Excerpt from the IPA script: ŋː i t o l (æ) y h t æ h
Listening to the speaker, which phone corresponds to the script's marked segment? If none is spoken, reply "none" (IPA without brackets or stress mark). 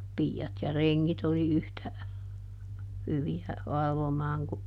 i